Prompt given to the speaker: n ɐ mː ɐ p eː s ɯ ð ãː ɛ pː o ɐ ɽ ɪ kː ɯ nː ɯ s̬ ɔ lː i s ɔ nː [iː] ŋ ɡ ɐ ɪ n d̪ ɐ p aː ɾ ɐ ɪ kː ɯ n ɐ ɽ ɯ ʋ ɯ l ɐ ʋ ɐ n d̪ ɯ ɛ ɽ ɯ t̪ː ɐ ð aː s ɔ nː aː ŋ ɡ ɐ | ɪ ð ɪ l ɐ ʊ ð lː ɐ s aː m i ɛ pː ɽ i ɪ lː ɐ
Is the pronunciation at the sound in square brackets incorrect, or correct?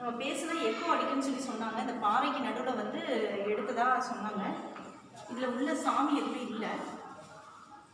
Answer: incorrect